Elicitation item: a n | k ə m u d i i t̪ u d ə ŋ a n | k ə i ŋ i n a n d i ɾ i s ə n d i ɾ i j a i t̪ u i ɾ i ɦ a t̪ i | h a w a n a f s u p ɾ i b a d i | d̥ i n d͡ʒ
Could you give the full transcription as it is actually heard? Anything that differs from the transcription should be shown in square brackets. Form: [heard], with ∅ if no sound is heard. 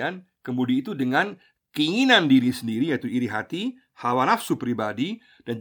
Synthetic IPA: a n | k ə m u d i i t̪ u d ə ŋ a n | k ə i ŋ i n a n d i ɾ i s ə n d i ɾ i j a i t̪ u i ɾ i ɦ a t̪ i | h a w a n a f s u p ɾ i b a d i | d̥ [a] n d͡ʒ